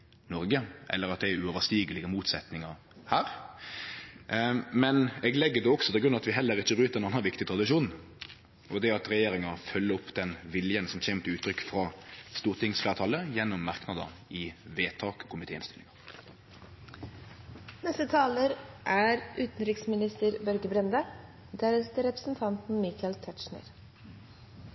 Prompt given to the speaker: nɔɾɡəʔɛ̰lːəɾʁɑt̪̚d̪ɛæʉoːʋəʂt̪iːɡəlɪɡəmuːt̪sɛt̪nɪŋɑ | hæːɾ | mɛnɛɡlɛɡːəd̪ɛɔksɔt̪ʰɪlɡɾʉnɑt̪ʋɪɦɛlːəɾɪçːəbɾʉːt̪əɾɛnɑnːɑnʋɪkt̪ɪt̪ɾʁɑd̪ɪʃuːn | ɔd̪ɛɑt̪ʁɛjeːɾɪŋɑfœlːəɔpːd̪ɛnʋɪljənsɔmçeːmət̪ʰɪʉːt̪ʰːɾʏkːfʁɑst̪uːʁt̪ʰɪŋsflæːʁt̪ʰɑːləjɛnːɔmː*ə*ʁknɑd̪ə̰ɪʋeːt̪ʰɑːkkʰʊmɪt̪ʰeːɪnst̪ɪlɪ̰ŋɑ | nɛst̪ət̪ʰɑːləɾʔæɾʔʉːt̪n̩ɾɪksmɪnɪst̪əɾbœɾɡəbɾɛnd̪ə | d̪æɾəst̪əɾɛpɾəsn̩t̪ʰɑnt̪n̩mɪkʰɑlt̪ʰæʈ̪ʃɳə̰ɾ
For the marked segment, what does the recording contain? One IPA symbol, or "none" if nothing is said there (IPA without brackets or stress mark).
ɑ